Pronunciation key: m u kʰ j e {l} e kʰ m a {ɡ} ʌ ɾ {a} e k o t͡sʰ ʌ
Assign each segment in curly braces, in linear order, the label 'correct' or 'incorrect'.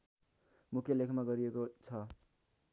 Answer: correct, correct, incorrect

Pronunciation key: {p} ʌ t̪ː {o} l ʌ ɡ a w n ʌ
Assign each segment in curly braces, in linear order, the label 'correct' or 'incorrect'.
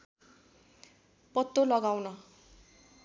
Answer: correct, correct

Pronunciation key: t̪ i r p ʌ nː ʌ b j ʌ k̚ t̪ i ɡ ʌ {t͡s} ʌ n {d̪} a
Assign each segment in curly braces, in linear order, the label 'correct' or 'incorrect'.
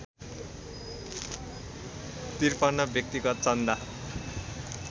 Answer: correct, correct

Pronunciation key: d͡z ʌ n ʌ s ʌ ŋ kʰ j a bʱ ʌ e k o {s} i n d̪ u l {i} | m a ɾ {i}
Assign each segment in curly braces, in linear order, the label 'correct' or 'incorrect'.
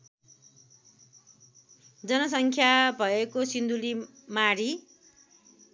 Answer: correct, correct, correct

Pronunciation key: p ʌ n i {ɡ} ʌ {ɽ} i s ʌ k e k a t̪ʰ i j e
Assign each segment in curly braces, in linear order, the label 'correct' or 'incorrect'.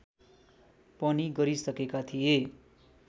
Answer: correct, incorrect

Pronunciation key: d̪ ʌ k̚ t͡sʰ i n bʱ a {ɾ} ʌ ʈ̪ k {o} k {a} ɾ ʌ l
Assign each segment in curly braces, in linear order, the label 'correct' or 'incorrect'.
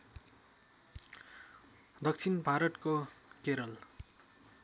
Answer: correct, correct, incorrect

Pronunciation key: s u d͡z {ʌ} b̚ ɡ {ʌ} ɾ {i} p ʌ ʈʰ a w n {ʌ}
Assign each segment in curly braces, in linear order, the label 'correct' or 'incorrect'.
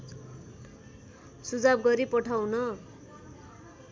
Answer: incorrect, correct, correct, correct

